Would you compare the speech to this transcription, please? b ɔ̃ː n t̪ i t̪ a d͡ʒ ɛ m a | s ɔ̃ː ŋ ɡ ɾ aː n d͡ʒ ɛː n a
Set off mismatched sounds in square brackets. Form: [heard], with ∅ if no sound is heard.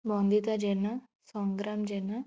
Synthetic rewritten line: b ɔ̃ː n [d̪] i t̪ a d͡ʒ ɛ [n] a | s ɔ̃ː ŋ ɡ ɾ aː [m] d͡ʒ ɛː n a